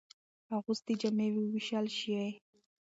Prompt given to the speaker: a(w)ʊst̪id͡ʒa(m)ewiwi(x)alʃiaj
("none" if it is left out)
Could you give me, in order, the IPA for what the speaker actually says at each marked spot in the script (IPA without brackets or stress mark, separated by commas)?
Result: ɣ, m, ʃ